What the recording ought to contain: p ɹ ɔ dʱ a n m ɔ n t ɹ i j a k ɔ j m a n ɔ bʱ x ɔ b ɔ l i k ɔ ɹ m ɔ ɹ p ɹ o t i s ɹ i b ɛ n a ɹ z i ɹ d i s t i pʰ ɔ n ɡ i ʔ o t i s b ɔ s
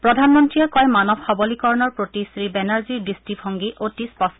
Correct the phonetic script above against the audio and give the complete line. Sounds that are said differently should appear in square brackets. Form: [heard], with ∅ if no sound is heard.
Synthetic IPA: p ɹ ɔ dʱ a n m ɔ n t ɹ i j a k ɔ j m a n ɔ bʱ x ɔ b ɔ l i k ɔ ɹ [n] ɔ ɹ p ɹ o t i s ɹ i b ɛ n a ɹ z i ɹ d i s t i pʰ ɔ [ŋ] ɡ i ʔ o t i s [p] ɔ s